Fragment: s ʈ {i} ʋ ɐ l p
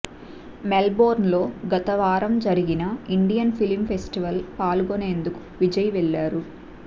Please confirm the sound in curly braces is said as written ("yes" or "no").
yes